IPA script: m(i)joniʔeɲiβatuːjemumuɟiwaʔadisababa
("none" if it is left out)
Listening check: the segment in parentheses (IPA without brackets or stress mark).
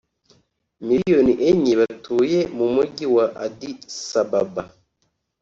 i